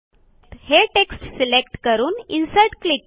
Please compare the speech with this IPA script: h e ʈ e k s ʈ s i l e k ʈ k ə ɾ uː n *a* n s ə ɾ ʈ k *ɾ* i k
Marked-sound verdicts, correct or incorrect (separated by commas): incorrect, incorrect